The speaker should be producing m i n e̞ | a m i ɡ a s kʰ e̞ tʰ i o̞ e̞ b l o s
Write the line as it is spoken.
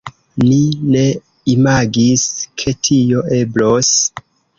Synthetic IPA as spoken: n i n e̞ | i m a ɡ i s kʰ e̞ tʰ i o̞ e̞ b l o s